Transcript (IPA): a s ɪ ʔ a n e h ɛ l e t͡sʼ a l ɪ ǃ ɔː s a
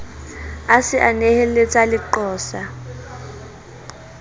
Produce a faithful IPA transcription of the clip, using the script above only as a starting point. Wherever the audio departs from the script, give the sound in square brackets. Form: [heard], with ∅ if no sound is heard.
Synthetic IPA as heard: a s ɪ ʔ a n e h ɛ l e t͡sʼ a l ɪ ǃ ɔː s a